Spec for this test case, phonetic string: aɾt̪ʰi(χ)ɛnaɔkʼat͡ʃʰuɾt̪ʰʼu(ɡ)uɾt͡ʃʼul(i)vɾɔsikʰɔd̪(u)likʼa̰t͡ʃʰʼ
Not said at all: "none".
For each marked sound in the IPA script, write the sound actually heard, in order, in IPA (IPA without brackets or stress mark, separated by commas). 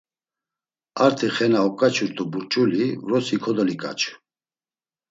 χ, b, i, ɔ